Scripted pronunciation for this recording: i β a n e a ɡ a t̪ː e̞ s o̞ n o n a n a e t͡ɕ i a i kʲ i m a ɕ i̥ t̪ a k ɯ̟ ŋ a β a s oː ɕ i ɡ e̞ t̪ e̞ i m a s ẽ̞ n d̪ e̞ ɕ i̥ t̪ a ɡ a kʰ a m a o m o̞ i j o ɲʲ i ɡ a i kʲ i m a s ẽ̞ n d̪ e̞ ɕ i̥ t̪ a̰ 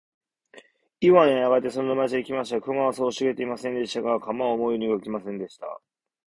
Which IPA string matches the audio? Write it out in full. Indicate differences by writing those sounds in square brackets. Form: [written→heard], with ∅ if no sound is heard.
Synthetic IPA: i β a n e a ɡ a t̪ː e̞ s o̞ n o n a [n→m] a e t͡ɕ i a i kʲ i m a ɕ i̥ t̪ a k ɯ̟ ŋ a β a s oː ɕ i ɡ e̞ t̪ e̞ i m a s ẽ̞ n d̪ e̞ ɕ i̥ t̪ a ɡ a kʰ a m a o m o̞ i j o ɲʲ i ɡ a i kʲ i m a s ẽ̞ n d̪ e̞ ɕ i̥ t̪ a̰